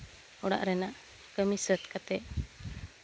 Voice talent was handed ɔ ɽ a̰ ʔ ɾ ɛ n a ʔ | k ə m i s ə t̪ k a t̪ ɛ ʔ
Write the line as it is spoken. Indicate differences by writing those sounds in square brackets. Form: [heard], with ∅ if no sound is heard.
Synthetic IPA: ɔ ɽ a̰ ʔ ɾ ɛ n a ʔ | k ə m i s ə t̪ k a t̪ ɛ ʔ